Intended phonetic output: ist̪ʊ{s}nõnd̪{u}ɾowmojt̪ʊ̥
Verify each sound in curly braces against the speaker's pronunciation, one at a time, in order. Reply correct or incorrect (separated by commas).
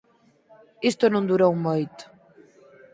incorrect, correct